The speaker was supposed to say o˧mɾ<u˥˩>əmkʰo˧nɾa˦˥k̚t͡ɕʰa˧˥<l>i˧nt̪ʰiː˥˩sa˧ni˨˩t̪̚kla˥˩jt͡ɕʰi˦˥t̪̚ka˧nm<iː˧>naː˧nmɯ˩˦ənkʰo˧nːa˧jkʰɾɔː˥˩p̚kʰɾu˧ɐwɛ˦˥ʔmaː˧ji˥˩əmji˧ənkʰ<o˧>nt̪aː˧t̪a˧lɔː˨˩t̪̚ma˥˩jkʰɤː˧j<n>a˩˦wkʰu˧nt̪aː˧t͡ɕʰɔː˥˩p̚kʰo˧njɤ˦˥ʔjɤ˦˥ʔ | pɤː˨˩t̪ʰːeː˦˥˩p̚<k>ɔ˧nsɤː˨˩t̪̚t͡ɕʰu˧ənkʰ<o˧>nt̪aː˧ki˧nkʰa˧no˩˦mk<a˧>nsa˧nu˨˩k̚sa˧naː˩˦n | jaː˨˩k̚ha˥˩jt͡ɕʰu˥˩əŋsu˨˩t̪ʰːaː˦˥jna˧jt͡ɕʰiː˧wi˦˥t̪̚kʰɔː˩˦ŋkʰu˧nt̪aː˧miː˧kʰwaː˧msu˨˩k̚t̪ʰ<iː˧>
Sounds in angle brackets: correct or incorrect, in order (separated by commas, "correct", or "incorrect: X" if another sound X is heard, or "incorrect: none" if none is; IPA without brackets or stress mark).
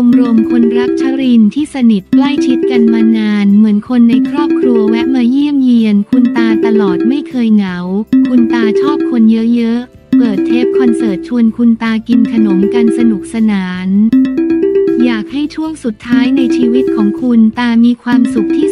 incorrect: u˧, incorrect: ɾ, incorrect: aː˧, incorrect: u˧, incorrect: ŋ, incorrect: kʰ, incorrect: u˧, correct, incorrect: iː˥˩